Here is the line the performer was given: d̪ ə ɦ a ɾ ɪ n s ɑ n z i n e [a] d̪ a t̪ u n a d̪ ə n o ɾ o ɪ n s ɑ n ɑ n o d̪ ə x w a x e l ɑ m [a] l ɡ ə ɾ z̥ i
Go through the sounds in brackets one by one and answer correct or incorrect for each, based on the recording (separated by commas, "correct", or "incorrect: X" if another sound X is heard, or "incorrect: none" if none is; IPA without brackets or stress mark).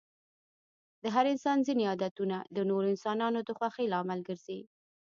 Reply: incorrect: ɑ, correct